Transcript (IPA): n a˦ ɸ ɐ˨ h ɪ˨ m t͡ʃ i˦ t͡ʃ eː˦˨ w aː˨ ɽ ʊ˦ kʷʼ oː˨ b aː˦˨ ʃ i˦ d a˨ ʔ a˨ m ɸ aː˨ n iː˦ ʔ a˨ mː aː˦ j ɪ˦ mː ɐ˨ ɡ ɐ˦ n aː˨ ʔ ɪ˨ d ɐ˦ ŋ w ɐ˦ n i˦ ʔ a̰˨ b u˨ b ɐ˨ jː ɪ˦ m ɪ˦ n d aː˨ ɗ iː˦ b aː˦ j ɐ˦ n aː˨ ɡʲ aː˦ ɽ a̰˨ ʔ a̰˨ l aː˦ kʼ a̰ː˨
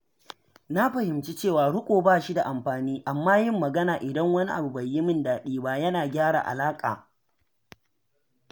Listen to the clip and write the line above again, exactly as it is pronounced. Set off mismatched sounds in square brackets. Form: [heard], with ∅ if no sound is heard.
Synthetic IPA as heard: n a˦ ɸ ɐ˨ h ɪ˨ m t͡ʃ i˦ t͡ʃ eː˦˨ w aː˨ ɽ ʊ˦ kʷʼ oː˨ b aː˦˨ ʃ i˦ d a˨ ʔ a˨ m ɸ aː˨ n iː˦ ʔ a˨ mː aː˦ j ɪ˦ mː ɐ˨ ɡ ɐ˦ n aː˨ ʔ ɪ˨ d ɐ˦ ŋ w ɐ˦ n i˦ ʔ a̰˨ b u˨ b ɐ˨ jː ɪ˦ m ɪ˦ n d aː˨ ɗ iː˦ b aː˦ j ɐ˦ n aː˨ ɡʲ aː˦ ɽ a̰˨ ʔ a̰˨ l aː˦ kʼ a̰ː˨